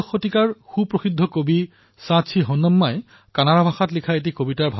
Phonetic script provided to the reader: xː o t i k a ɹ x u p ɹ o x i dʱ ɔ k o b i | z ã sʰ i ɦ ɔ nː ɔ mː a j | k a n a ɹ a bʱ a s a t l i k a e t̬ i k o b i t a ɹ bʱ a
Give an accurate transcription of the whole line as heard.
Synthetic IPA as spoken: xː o t i k a ɹ x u p ɹ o x i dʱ ɔ k o b i | s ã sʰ i ɦ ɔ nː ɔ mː a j | k a n a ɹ a bʱ a x a t l i kʰ a e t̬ i k o b i t a ɹ bʱ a